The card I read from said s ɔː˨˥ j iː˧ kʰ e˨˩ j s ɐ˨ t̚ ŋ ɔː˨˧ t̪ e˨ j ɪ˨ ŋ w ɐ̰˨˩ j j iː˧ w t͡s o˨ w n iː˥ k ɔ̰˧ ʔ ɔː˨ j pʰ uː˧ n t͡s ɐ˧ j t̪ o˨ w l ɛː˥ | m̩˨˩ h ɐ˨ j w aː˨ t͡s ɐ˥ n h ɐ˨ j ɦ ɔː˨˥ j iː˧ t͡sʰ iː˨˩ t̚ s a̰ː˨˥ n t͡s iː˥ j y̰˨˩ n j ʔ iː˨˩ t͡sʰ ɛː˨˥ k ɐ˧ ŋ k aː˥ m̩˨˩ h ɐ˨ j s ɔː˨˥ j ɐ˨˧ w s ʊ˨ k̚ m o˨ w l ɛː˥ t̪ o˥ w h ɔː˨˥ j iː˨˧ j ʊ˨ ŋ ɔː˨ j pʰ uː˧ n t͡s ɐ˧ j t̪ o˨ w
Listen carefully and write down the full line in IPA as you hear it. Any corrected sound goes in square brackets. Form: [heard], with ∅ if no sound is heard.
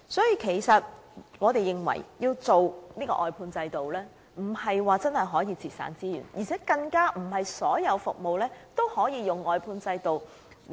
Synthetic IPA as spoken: s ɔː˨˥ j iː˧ kʰ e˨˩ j s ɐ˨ t̚ ŋ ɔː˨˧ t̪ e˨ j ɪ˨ ŋ w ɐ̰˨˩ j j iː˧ w t͡s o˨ w n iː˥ k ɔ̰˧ ʔ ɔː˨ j pʰ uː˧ n t͡s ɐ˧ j t̪ o˨ w l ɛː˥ | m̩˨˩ h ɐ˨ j w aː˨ t͡s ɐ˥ n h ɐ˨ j ɦ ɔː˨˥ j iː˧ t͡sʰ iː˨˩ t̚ s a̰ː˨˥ n t͡s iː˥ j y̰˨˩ n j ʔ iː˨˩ t͡sʰ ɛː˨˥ k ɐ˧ ŋ k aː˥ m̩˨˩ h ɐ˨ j s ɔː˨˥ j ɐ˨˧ w [f] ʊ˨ k̚ m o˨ w l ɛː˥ t̪ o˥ w h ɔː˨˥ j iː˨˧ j ʊ˨ ŋ ɔː˨ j pʰ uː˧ n t͡s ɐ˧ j t̪ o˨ w